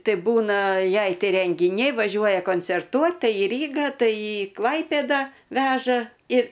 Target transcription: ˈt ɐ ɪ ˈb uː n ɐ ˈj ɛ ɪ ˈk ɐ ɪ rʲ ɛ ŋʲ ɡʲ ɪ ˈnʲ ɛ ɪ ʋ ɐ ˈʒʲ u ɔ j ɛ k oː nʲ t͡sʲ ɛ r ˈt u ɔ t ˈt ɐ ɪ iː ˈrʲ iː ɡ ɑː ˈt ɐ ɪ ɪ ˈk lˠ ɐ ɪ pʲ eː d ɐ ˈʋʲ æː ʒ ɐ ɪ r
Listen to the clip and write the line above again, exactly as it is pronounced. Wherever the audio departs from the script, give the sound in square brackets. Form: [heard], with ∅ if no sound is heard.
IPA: ˈt ɐ ɪ ˈb uː n ɐ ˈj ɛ ɪ [ˈt] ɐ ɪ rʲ ɛ ŋʲ ɡʲ ɪ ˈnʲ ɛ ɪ ʋ ɐ ˈʒʲ u ɔ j ɛ k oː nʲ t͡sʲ ɛ r ˈt u ɔ t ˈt ɐ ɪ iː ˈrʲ iː ɡ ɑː ˈt ɐ ɪ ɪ ˈk lˠ ɐ ɪ pʲ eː d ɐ ˈʋʲ æː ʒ ɐ ɪ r